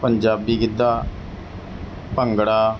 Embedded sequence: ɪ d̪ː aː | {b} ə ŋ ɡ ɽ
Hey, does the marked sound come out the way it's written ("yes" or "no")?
no